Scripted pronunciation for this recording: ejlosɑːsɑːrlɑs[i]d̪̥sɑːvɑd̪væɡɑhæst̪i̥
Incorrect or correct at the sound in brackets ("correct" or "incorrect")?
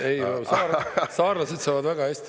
incorrect